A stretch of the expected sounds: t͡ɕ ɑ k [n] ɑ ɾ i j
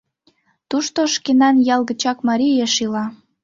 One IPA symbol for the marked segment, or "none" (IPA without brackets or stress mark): m